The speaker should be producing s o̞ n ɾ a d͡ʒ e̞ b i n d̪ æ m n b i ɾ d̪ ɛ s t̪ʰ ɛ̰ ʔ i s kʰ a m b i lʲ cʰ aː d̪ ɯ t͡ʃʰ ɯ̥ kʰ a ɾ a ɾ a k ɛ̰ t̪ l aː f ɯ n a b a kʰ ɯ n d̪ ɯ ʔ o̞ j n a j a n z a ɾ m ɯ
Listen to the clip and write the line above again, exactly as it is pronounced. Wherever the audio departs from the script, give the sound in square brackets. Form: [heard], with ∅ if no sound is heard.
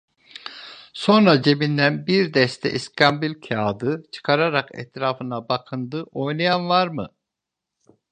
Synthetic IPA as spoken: s o̞ n ɾ a d͡ʒ e̞ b i n d̪ æ [∅] n b i ɾ d̪ ɛ s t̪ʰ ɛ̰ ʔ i s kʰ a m b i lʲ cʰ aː d̪ ɯ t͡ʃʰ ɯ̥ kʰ a ɾ a ɾ a k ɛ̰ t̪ [ɾ] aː f ɯ n a b a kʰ ɯ n d̪ ɯ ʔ o̞ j n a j a n [v] a ɾ m ɯ